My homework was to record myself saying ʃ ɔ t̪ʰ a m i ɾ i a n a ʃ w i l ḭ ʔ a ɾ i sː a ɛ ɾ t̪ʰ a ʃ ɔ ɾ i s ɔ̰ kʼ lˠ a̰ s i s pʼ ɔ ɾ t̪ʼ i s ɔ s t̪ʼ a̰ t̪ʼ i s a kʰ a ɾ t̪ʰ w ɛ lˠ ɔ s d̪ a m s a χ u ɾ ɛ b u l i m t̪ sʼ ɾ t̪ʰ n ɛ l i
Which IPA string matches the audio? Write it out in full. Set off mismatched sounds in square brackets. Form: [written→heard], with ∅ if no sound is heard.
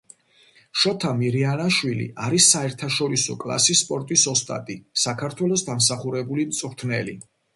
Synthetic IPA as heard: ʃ ɔ t̪ʰ a m i ɾ i a n a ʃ w i l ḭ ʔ a ɾ i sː a ɛ ɾ t̪ʰ a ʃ ɔ ɾ i s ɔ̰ kʼ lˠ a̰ s i s pʼ ɔ ɾ t̪ʼ i s ɔ s t̪ʼ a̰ t̪ʼ i s a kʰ a ɾ t̪ʰ w ɛ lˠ ɔ s d̪ a m s a χ u ɾ ɛ b u l i m t̪ sʼ ɾ t̪ʰ n ɛ l i